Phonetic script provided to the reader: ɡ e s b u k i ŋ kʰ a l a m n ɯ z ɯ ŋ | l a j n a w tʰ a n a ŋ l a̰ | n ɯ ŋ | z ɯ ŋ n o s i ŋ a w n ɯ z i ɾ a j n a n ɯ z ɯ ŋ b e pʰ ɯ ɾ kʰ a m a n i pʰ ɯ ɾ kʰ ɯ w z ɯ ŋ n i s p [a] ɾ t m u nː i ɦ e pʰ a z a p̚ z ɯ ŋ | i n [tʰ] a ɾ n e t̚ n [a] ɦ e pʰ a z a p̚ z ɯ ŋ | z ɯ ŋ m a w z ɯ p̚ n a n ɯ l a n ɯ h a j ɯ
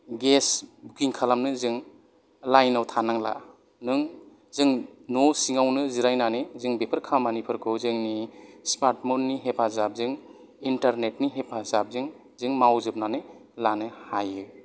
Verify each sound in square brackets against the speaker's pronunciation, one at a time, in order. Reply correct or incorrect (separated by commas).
correct, incorrect, incorrect